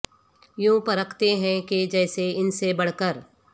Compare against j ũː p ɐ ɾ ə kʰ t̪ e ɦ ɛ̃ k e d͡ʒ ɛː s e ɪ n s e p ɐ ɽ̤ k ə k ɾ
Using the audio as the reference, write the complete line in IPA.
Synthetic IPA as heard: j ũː p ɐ ɾ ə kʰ t̪ e ɦ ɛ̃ k e d͡ʒ ɛː s e ɪ n s e b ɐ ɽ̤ k ə ɾ

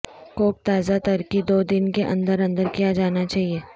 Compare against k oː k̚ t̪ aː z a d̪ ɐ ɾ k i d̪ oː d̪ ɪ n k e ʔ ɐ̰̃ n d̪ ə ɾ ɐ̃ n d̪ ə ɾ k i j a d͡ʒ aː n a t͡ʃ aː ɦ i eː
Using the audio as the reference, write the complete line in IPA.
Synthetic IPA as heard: k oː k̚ t̪ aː z a t̪ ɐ ɾ k i d̪ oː d̪ ɪ n k e ʔ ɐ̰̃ n d̪ ə ɾ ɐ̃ n d̪ ə ɾ k i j a d͡ʒ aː n a t͡ʃ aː ɦ i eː

